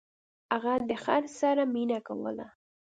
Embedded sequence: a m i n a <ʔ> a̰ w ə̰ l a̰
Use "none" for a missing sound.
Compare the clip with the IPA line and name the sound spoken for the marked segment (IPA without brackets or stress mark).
k